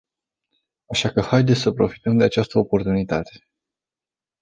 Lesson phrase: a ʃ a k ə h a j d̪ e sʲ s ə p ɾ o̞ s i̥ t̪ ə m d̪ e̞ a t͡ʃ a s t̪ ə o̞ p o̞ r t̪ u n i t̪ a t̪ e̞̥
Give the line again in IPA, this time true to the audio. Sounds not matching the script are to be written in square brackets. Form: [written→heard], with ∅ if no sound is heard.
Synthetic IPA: a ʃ a k ə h a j d̪ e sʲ s ə p ɾ o̞ [s→f] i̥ t̪ ə m d̪ e̞ a t͡ʃ a s t̪ ə o̞ p o̞ r t̪ u n i t̪ a t̪ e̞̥